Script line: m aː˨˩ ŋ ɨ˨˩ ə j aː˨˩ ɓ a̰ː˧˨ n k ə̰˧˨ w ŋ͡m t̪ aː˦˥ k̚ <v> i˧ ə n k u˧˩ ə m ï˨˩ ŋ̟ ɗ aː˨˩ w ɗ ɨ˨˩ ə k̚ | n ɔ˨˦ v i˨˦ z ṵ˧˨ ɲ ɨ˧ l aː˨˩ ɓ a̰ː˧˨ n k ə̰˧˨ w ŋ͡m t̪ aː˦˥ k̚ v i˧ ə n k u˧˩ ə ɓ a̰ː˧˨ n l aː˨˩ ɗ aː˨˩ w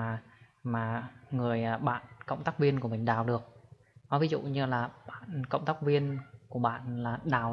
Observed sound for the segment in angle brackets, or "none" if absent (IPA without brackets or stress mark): v